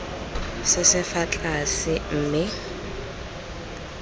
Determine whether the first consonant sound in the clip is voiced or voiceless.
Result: voiceless